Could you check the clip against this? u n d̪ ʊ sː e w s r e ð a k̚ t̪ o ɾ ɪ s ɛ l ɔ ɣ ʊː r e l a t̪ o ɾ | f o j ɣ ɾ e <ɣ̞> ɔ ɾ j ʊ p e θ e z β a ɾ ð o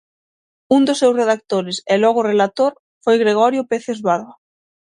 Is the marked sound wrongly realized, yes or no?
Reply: no